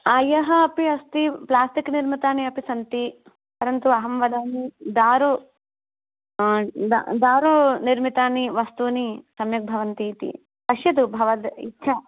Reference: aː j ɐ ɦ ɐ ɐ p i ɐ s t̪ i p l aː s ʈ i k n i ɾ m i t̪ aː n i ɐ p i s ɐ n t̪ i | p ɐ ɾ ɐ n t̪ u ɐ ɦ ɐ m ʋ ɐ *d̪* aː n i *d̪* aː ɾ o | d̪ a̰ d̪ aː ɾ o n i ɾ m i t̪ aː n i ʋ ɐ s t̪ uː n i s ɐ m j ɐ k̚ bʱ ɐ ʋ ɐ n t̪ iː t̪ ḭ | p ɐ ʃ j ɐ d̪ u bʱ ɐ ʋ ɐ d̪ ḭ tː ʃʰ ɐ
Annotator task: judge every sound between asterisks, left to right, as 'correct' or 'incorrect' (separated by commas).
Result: correct, correct